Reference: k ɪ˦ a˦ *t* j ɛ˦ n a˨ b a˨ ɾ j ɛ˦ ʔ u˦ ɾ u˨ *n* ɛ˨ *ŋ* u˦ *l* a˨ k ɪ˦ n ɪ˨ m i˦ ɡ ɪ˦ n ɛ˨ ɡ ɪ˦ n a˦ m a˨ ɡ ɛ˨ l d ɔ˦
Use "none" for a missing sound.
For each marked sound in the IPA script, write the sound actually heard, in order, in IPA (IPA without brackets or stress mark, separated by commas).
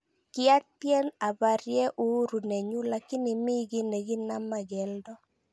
t, n, ɲ, l